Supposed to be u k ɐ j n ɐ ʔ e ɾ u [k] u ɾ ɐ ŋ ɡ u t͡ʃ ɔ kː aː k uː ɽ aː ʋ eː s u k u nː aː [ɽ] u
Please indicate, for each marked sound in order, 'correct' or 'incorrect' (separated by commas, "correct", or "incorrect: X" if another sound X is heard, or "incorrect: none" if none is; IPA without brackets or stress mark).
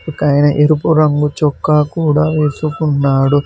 incorrect: p, correct